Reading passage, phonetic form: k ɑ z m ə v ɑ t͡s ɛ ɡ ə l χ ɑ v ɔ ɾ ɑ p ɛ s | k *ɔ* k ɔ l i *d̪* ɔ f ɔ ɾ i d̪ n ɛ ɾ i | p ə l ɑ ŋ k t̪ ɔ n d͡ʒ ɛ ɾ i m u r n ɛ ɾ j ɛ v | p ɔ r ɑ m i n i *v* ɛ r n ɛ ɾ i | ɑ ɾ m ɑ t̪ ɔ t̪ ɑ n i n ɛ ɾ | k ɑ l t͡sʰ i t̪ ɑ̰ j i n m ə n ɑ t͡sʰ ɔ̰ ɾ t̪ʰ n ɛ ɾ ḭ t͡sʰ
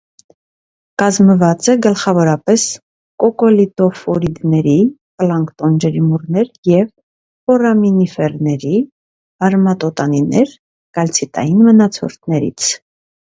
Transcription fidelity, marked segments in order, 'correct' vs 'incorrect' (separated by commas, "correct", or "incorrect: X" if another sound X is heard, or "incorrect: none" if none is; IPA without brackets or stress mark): correct, incorrect: t̪, incorrect: f